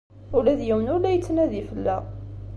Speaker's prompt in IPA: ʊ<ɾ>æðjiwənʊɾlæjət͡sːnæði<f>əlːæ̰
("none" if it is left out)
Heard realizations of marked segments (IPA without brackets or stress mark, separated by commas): l, f